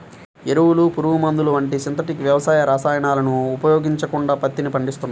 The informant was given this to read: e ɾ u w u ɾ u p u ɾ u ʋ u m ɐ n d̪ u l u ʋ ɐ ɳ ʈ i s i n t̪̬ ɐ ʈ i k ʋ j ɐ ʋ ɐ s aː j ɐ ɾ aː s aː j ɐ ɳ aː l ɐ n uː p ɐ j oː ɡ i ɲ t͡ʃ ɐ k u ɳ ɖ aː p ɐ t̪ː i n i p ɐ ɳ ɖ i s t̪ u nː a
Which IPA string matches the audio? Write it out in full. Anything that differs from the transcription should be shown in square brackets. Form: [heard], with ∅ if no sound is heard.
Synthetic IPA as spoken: e ɾ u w u [l] u p u ɾ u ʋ u m ɐ n d̪ u l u ʋ ɐ ɳ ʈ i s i n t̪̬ ɐ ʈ i k ʋ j ɐ ʋ ɐ s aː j ɐ ɾ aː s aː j ɐ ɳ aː l ɐ n uː p ɐ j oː ɡ i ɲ t͡ʃ ɐ k u ɳ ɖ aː p ɐ t̪ː i n i p ɐ ɳ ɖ i s t̪ u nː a